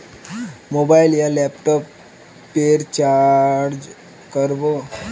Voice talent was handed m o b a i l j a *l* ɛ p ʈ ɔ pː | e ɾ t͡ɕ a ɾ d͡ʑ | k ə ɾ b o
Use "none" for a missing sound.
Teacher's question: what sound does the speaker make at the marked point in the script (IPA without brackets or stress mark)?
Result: l